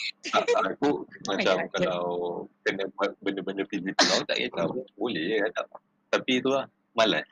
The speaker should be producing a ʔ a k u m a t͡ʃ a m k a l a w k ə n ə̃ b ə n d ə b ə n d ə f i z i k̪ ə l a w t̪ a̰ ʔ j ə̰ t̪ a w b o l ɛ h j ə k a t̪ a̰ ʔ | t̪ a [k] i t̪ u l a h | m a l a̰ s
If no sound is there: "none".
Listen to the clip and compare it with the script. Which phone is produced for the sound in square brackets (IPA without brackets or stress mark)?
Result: p